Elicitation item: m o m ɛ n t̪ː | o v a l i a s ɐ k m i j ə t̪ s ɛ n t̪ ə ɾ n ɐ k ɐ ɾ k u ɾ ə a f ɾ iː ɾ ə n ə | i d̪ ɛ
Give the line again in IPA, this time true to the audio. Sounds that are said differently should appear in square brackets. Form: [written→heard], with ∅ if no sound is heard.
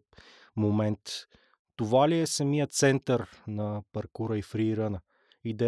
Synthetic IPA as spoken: m o m ɛ n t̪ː | o v a l i [a→ɛ] s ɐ [k→∅] m i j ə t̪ s ɛ n t̪ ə ɾ n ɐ [k→p] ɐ ɾ k u ɾ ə [a→i] f ɾ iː ɾ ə n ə | i d̪ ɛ